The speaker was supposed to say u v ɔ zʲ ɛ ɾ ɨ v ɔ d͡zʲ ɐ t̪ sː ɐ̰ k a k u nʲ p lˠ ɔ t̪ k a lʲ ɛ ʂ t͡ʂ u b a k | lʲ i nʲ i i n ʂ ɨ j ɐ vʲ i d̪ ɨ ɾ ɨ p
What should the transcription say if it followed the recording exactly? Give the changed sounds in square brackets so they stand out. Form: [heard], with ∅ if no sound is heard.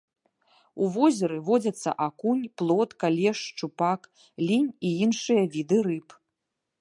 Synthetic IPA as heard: u v ɔ zʲ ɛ ɾ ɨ v ɔ d͡zʲ ɐ t̪ sː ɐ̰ [ʔ] a k u nʲ p lˠ ɔ t̪ k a lʲ ɛ ʂ t͡ʂ u [p] a k | lʲ i nʲ i i n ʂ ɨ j ɐ vʲ i d̪ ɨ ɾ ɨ p